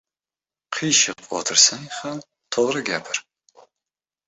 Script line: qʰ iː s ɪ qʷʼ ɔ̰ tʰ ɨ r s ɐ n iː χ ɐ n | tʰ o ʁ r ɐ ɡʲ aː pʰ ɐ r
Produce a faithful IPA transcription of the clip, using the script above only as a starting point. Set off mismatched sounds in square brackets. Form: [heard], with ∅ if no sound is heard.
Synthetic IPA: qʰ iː [ʃ] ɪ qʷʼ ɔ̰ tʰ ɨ r s ɐ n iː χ ɐ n | tʰ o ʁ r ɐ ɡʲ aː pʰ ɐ r